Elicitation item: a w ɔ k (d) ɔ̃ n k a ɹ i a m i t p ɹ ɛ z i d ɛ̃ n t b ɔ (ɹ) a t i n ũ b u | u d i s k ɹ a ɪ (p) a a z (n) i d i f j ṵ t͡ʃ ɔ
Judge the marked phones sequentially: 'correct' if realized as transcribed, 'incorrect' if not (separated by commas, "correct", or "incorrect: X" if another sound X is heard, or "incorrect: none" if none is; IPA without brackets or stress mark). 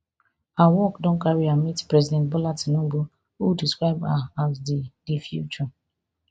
correct, incorrect: l, incorrect: b, incorrect: d